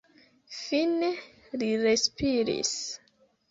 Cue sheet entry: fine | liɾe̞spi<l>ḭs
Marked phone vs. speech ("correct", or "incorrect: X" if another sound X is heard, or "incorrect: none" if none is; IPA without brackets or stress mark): incorrect: ɾ